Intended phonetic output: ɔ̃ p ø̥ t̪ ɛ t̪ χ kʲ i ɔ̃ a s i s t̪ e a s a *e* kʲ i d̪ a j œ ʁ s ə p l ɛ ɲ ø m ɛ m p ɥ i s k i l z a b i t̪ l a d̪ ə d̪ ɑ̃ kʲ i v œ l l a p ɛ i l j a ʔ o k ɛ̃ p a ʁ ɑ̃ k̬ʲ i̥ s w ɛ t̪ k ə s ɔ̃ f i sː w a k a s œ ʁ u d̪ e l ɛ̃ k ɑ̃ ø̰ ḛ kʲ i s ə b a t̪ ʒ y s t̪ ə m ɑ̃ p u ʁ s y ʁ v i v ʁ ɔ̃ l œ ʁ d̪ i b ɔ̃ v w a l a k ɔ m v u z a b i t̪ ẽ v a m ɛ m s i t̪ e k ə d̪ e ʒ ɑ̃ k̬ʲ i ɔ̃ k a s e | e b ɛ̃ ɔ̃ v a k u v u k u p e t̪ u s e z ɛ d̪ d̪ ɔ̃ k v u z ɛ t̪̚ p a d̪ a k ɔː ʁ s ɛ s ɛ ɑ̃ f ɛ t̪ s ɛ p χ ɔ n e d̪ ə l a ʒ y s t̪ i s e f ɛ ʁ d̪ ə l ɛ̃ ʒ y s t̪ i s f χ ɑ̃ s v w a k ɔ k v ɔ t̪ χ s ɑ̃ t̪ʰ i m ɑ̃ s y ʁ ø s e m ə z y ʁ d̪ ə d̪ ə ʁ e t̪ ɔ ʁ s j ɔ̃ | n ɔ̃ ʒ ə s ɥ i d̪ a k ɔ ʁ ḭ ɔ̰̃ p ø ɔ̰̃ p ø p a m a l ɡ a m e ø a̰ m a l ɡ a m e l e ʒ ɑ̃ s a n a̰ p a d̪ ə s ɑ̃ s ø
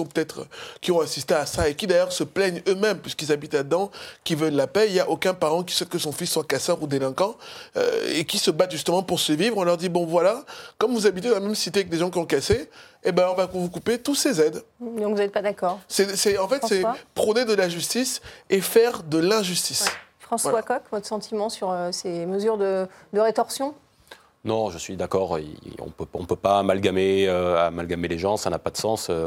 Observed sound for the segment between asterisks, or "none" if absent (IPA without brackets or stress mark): e